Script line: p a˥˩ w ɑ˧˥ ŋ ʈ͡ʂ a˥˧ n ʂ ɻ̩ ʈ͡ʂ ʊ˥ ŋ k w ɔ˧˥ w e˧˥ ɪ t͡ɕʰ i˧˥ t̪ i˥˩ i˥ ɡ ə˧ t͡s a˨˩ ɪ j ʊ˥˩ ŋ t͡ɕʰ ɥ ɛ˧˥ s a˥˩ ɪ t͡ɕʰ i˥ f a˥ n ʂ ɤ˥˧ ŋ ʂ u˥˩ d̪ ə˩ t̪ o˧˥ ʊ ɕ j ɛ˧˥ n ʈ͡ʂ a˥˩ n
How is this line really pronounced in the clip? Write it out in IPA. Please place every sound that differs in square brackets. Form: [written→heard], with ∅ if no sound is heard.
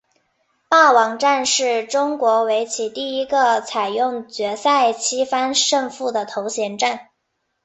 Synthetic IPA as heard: p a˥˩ w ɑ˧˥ ŋ ʈ͡ʂ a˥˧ n ʂ ɻ̩ ʈ͡ʂ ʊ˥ ŋ k w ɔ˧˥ w e˧˥ ɪ t͡ɕʰ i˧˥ t̪ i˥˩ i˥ ɡ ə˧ [t͡s→t͡sʰ] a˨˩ ɪ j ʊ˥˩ ŋ [t͡ɕʰ→t͡ɕ] ɥ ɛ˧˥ s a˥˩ ɪ t͡ɕʰ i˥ f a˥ n ʂ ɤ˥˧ ŋ [ʂ→f] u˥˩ d̪ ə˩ [t̪→t̪ʰ] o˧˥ ʊ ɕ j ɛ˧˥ n ʈ͡ʂ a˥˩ n